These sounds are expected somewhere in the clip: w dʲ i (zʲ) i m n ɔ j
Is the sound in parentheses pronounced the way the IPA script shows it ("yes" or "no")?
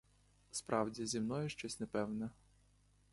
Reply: yes